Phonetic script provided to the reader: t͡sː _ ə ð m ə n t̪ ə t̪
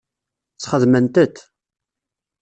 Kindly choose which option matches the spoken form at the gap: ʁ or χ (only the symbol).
χ